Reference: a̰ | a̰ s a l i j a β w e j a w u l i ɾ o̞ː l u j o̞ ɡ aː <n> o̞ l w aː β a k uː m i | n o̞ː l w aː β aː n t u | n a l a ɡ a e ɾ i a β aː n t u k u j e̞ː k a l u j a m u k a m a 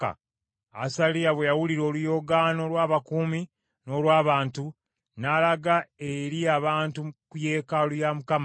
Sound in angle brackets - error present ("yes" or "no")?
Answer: no